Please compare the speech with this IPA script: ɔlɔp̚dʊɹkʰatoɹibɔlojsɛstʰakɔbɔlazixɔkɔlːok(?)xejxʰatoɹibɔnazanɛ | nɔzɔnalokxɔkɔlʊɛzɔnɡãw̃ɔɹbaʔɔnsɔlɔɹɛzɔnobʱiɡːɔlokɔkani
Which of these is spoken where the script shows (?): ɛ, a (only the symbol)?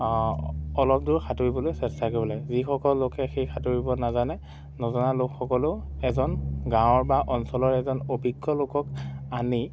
ɛ